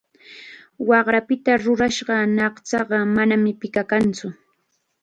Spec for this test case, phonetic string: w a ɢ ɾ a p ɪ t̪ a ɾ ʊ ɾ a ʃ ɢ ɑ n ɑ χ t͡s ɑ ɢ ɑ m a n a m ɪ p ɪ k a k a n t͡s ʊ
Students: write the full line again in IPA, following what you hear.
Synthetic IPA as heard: w ɑ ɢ ɾ a p ɪ t̪ a ɾ ʊ ɾ a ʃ ɢ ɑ n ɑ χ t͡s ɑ ɢ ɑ m a n a m ɪ p ɪ k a k a n t͡s ʊ